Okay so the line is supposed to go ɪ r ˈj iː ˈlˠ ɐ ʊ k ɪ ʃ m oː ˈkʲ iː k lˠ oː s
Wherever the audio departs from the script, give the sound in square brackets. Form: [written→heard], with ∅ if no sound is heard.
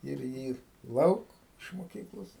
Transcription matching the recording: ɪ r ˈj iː ˈlˠ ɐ ʊ k ɪ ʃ m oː ˈkʲ iː k lˠ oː s